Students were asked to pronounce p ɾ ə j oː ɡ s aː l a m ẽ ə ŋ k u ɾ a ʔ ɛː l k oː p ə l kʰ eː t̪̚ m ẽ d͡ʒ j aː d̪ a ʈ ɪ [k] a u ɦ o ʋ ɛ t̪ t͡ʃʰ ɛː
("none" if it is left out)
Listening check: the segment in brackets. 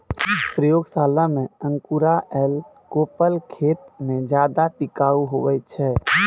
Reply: k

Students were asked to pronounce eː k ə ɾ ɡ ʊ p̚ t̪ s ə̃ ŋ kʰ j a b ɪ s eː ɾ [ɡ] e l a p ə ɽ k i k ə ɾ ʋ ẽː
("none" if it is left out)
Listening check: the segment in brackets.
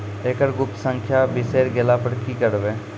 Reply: ɡ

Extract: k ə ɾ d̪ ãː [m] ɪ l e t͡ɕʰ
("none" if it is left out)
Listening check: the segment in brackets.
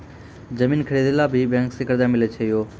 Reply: m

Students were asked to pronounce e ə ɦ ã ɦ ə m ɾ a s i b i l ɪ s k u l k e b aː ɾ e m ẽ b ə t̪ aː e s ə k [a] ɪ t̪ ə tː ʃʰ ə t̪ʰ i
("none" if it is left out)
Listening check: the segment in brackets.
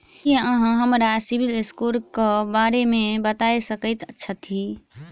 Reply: ə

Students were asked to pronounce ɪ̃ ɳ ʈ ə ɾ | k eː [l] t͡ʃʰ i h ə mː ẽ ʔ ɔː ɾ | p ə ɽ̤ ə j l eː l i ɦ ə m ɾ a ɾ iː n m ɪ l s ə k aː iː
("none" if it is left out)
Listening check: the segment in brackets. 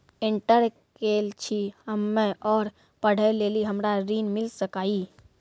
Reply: l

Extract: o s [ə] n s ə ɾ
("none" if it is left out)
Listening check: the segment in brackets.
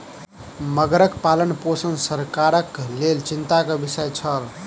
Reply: ə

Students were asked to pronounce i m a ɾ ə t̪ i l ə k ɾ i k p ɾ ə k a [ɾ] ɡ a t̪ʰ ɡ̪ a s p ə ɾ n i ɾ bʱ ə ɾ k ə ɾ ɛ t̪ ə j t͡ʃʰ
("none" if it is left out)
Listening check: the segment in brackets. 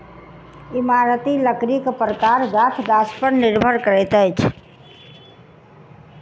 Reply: ɾ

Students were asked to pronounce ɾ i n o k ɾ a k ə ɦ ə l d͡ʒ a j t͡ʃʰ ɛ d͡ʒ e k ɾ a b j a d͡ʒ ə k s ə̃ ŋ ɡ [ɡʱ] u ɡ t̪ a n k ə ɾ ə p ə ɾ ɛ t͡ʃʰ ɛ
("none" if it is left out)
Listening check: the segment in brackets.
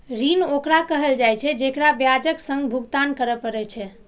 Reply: bʱ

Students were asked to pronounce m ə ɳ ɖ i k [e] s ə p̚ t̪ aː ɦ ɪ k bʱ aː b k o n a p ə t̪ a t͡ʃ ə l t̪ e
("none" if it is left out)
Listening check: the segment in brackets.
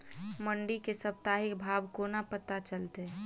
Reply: e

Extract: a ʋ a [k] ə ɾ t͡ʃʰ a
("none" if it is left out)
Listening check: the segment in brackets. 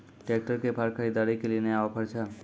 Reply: p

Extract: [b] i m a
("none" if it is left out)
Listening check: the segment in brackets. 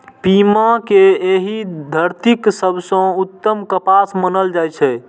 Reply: p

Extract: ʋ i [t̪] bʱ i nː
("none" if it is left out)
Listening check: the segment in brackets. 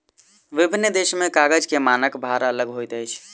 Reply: none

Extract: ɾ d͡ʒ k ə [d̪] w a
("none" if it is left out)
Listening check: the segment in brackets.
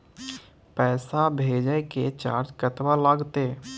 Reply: t̪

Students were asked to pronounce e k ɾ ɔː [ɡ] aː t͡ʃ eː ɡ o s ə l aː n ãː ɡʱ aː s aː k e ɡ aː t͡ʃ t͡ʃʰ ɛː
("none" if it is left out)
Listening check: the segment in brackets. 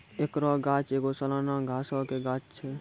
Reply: ɡ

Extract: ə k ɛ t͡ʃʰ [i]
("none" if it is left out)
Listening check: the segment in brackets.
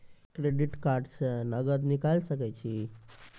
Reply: i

